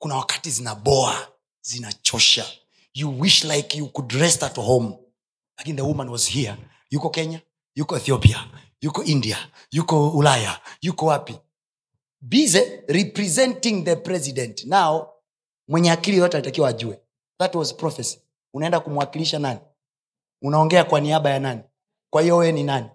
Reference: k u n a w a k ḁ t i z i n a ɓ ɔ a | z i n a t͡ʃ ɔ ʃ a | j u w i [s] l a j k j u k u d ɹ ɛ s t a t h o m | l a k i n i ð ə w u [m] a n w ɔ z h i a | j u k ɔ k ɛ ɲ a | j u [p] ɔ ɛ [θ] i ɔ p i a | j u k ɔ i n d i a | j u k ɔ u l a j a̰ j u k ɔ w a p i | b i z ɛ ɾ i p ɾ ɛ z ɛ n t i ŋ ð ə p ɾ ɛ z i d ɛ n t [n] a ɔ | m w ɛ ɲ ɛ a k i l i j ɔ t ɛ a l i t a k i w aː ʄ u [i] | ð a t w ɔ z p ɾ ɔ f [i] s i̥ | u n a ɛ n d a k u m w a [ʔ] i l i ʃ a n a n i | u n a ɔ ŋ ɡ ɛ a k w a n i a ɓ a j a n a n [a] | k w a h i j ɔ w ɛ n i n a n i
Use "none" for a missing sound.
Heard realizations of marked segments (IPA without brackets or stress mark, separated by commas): ʃ, m, k, θ, n, ɛ, ɛ, k, i